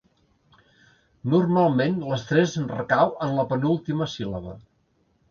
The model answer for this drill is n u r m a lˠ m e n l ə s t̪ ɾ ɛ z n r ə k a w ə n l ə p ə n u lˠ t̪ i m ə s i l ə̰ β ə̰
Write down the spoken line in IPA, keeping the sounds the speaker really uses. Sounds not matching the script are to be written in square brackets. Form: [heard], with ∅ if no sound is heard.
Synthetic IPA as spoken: n u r m a lˠ m e n l ə s t̪ ɾ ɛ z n r ə k a w ə n l ə p ə n u lˠ t̪ i m ə s i l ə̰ β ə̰